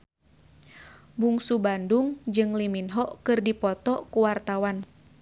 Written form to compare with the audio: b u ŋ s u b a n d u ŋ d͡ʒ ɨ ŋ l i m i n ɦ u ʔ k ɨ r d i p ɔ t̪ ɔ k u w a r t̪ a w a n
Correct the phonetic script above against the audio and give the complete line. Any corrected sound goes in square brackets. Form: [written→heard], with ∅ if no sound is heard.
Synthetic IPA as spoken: b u ŋ s u b a n d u ŋ d͡ʒ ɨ ŋ l i m i n ɦ [u→ɔ] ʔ k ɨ r d i p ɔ t̪ ɔ k u w a r t̪ a w a n